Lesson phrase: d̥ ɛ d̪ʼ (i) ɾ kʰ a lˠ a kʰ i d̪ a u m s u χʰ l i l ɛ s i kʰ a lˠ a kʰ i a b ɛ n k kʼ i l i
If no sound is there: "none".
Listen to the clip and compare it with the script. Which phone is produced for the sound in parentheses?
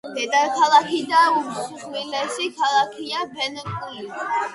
a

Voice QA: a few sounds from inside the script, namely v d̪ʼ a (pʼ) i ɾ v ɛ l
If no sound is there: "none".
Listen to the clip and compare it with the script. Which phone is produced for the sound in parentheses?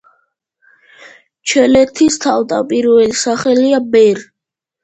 pʼ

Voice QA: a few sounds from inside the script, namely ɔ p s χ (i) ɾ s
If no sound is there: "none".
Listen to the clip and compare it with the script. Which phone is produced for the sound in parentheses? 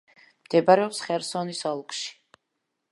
ɛ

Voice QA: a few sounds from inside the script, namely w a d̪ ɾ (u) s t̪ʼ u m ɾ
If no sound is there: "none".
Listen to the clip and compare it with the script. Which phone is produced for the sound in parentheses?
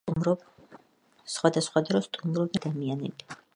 ɔ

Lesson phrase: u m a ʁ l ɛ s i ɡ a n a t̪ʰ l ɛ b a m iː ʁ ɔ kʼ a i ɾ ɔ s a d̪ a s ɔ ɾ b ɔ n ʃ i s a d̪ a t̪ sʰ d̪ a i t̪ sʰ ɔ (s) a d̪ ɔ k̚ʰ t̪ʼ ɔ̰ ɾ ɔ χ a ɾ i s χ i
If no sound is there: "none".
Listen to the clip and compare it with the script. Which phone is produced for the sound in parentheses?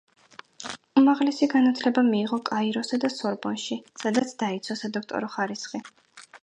s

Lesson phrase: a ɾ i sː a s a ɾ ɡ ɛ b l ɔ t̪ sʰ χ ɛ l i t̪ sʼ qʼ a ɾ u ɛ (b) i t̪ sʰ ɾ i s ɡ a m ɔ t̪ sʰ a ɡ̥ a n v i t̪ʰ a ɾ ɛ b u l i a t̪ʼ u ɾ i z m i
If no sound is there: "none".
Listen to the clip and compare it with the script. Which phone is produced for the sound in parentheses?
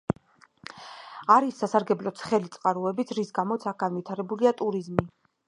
b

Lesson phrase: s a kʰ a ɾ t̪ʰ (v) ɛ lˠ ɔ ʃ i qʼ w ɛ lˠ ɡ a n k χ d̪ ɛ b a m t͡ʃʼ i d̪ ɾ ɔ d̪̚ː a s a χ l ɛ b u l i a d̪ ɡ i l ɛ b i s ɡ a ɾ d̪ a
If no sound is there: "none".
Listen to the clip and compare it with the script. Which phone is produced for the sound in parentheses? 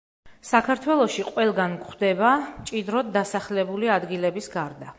w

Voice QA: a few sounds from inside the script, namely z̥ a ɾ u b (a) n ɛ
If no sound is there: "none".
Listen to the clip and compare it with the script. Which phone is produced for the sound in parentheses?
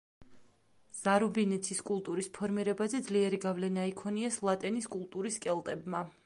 i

